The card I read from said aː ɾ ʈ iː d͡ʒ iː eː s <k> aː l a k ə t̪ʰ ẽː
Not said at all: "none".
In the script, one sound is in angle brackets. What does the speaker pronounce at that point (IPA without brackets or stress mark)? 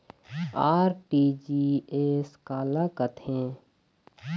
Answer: k